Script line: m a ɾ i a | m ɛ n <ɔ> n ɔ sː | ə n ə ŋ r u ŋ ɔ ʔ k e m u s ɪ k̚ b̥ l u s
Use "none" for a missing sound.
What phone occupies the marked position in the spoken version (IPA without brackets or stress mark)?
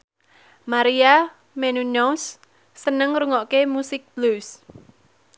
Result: u